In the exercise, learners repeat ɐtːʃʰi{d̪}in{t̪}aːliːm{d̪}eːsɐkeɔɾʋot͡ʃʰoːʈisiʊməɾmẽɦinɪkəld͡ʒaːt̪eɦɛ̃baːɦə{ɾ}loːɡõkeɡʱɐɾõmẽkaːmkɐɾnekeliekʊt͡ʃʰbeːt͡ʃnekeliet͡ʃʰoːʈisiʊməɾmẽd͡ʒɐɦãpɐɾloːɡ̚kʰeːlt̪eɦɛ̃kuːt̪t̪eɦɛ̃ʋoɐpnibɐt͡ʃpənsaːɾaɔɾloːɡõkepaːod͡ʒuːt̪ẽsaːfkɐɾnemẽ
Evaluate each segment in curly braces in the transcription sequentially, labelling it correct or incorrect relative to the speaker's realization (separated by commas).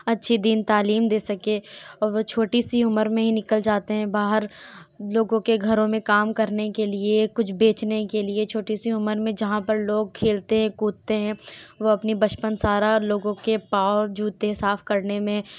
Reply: correct, correct, correct, correct